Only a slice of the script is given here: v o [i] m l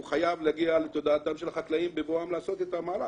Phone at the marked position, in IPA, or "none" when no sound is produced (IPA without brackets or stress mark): a